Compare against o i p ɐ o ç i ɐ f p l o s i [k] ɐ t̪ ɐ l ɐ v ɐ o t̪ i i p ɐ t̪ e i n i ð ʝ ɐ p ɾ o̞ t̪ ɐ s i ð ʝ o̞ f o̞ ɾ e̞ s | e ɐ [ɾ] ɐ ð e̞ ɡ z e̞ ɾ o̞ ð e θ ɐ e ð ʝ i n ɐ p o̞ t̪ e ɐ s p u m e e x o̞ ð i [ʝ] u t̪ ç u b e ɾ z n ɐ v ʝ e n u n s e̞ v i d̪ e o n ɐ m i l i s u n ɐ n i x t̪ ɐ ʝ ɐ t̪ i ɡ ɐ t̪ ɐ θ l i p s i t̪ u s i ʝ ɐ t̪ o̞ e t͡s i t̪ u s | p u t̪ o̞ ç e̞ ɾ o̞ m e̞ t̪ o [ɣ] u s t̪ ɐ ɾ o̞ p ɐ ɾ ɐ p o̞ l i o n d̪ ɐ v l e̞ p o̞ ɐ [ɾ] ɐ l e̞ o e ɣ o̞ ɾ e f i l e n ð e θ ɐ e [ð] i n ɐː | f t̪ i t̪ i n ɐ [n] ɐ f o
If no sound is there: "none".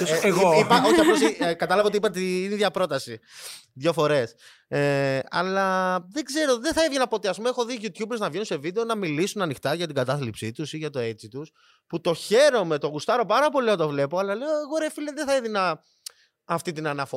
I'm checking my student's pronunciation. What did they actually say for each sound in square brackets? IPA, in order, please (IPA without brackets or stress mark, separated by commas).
k, l, ʝ, ɣ, l, ð, n